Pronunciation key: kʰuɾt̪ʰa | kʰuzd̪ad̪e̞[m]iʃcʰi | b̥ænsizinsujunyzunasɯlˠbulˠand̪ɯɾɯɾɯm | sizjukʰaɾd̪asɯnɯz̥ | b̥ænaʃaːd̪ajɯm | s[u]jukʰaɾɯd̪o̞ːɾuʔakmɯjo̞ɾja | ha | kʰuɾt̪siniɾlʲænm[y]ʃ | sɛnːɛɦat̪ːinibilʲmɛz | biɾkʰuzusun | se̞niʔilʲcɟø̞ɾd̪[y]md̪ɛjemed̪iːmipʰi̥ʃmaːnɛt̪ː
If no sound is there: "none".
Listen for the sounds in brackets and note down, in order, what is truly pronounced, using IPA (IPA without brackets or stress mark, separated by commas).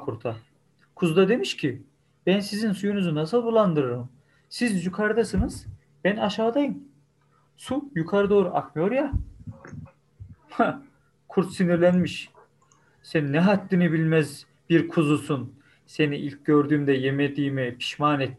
m, u, i, yː